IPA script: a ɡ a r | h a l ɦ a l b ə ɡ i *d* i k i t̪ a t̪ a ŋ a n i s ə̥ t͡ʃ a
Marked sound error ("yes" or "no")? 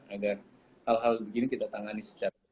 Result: yes